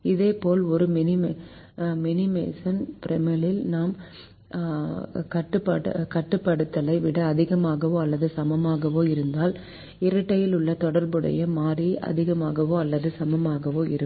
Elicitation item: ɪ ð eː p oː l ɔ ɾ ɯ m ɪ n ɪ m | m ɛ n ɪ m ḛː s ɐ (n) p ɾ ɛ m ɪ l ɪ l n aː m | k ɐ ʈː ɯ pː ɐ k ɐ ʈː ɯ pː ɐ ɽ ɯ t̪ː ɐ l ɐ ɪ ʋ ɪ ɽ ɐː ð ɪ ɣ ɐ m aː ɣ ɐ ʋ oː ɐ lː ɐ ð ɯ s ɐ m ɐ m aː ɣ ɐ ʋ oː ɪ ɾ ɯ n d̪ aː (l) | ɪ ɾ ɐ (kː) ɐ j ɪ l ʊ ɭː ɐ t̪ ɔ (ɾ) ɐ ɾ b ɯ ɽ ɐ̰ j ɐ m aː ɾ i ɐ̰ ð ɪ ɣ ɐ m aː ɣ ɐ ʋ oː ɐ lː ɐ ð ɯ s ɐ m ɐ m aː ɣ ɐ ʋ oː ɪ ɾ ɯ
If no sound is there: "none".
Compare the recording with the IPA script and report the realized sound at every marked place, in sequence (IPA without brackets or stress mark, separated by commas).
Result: n, l, ʈː, ɽ